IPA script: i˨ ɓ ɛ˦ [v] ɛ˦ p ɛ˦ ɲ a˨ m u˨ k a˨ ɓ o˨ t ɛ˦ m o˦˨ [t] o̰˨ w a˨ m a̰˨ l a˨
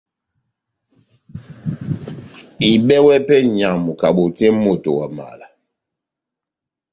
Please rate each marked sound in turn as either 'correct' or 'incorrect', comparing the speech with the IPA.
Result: incorrect, correct

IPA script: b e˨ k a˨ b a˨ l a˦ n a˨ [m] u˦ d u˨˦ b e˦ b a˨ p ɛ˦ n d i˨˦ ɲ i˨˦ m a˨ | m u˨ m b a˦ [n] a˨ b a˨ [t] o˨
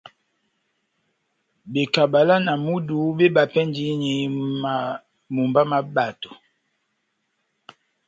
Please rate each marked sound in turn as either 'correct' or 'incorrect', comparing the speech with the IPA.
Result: correct, incorrect, correct

